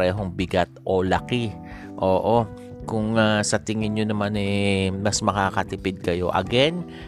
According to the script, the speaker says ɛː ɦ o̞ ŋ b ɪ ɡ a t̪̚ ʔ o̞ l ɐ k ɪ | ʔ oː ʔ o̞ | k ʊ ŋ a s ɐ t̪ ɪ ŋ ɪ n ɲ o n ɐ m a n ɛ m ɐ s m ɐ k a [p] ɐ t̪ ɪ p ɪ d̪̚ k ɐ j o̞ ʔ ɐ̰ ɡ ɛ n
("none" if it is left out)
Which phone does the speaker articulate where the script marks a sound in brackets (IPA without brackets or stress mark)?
k